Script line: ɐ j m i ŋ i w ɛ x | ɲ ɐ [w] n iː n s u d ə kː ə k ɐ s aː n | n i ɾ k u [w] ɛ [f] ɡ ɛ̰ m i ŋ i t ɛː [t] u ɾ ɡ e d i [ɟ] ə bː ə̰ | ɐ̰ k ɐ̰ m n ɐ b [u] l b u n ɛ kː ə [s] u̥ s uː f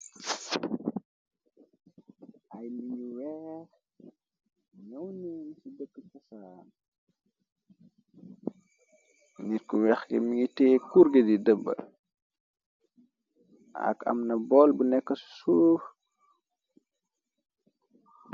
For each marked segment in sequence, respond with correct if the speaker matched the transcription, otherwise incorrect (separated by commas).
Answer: correct, correct, incorrect, incorrect, incorrect, incorrect, correct